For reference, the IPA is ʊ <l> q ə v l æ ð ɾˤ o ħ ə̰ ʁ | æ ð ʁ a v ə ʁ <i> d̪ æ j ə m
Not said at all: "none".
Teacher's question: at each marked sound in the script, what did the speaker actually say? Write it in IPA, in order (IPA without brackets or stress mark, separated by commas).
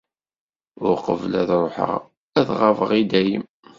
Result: ɾ, i